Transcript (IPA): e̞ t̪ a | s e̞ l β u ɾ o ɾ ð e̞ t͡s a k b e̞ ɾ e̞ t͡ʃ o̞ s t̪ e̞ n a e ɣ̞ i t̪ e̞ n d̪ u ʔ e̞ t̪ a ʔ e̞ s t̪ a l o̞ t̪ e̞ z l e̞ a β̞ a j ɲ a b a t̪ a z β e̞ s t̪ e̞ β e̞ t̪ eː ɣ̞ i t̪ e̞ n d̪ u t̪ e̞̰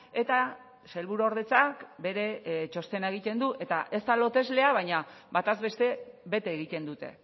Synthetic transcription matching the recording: e̞ t̪ a | s e̞ l β u ɾ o ɾ ð e̞ t͡s a k b e̞ ɾ e̞ t͡ʃ o̞ s t̪ e̞ n a e ɣ̞ i t̪ e̞ n d̪ u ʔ e̞ t̪ a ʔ e̞ s t̪ a l o̞ t̪ e̞ z l e̞ a β̞ a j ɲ a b a t̪ a z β e̞ s t̪ e̞ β e̞ t̪ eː ɣ̞ i t̪ e̞ n d̪ u t̪ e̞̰

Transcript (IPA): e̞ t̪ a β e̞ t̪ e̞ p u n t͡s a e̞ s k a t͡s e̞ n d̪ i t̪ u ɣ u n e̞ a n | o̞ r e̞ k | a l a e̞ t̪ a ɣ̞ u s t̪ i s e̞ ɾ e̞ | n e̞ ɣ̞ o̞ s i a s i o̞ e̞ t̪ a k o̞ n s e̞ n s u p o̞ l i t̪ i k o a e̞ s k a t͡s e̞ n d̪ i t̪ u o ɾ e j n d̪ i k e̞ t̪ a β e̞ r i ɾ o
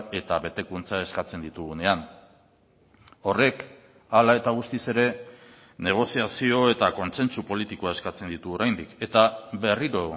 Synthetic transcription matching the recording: e̞ t̪ a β e̞ t̪ e̞ k u n t͡s a e̞ s k a t͡s e̞ n d̪ i t̪ u ɣ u n e̞ a n | o̞ r e̞ k | a l a e̞ t̪ a ɣ̞ u s t̪ i s e̞ ɾ e̞ | n e̞ ɣ̞ o̞ s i a s i o̞ e̞ t̪ a k o̞ n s e̞ n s u p o̞ l i t̪ i k o a e̞ s k a t͡s e̞ n d̪ i t̪ u o ɾ a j n d̪ i k e̞ t̪ a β e̞ r i ɾ o

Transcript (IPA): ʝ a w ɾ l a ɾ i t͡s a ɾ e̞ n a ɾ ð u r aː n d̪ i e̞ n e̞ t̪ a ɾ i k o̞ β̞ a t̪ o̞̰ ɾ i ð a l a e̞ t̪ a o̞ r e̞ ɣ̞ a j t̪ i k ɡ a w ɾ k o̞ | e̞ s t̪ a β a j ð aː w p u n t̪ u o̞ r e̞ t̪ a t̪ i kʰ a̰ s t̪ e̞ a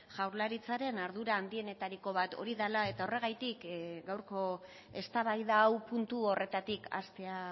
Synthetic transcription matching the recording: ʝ a w ɾ l a ɾ i t͡s a ɾ e̞ n a ɾ ð u ɾ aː n d̪ i e̞ n e̞ t̪ a ɾ i k o̞ β̞ a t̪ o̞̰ ɾ i ð a l a e̞ t̪ a o̞ r e̞ ɣ̞ a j t̪ i k ɡ a w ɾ k o̞ | e̞ s t̪ a β a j ð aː w p u n t̪ u o̞ r e̞ t̪ a t̪ i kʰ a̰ s t̪ e̞ a

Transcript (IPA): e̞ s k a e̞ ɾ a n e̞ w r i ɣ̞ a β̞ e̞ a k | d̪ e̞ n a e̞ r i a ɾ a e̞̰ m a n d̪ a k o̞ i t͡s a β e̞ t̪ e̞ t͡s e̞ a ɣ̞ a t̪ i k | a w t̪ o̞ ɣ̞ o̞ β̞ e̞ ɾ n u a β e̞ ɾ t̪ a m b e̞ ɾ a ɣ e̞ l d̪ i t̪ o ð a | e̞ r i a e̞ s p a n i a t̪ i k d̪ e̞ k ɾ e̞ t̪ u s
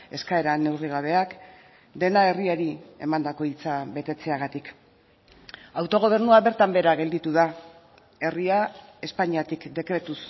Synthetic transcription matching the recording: e̞ s k a e̞ ɾ a n e̞ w r i ɣ̞ a β̞ e̞ a k | d̪ e̞ n a e̞ r i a ɾ i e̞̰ m a n d̪ a k o̞ i t͡s a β e̞ t̪ e̞ t͡s e̞ a ɣ̞ a t̪ i k | a w t̪ o̞ ɣ̞ o̞ β̞ e̞ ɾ n u a β e̞ ɾ t̪ a m b e̞ ɾ a ɣ e̞ l d̪ i t̪ u ð a | e̞ r i a e̞ s p a ɲ i a t̪ i k d̪ e̞ k ɾ e̞ t̪ u s

